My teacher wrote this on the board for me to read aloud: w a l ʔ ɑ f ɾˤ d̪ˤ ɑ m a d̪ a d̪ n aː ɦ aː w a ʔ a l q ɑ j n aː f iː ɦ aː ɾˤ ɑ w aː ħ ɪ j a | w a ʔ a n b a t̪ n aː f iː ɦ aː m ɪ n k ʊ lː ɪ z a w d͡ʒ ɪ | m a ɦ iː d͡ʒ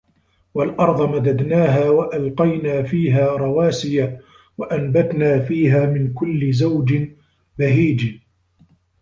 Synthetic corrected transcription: w a l ʔ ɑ ɾˤ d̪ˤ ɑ m a d̪ a d̪ n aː ɦ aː w a ʔ a l q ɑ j n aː f iː ɦ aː ɾˤ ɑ w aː s ɪ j a | w a ʔ a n b a t̪ n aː f iː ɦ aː m ɪ n k ʊ lː ɪ z a w d͡ʒ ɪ | b a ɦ iː d͡ʒ